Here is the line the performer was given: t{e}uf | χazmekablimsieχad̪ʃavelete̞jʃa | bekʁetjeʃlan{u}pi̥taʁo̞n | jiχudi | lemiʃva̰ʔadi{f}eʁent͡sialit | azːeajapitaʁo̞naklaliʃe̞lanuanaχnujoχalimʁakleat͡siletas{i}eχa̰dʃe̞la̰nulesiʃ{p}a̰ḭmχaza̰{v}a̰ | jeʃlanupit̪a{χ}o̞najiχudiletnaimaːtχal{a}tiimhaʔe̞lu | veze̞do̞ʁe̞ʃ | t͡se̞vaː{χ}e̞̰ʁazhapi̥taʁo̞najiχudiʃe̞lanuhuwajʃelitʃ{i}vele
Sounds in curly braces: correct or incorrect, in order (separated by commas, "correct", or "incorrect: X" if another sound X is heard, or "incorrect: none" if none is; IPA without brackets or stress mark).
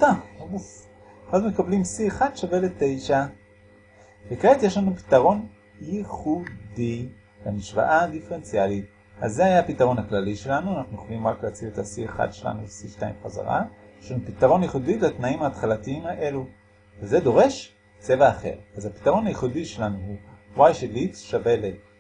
incorrect: a, correct, correct, correct, incorrect: t, incorrect: ʁ, incorrect: ʁ, correct, correct, incorrect: a